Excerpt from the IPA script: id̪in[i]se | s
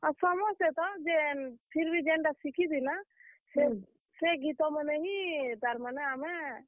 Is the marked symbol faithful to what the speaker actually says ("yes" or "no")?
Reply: no